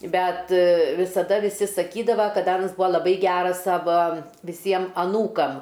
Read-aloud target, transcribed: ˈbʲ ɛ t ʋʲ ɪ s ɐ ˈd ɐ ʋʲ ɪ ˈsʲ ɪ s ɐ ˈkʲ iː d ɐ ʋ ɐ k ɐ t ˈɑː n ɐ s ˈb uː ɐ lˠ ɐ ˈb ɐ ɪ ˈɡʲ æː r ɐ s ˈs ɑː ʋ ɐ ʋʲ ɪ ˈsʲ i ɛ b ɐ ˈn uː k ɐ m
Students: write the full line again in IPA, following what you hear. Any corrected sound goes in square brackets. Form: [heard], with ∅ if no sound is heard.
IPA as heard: ˈbʲ ɛ t ʋʲ ɪ s ɐ ˈd ɐ ʋʲ ɪ ˈsʲ ɪ s ɐ ˈkʲ iː d ɐ ʋ ɐ k ɐ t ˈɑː n ɐ s ˈb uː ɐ lˠ ɐ ˈb ɐ ɪ ˈɡʲ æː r ɐ s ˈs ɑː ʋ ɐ ʋʲ ɪ ˈsʲ i ɛ [m] ɐ ˈn uː k ɐ m